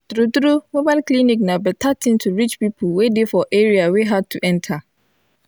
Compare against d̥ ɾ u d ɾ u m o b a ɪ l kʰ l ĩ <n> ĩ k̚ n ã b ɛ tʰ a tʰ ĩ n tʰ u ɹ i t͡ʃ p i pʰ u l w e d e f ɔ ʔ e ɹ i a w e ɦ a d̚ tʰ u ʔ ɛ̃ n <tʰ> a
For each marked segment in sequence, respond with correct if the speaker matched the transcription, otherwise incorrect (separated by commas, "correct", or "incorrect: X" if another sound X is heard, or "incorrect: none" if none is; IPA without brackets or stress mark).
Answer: correct, correct